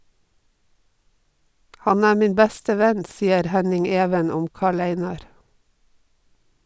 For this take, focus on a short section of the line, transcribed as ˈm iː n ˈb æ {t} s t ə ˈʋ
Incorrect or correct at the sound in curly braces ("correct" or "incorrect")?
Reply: incorrect